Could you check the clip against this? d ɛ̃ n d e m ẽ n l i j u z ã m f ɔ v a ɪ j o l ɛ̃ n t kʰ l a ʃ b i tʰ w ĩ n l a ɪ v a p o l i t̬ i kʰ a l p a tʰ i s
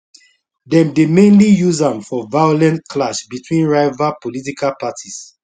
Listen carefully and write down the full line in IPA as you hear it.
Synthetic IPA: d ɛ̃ m d e m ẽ n l i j u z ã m f ɔ v a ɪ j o l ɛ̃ n t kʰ l a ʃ b i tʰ w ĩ n ɹ a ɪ v a p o l i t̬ i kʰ a l p a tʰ i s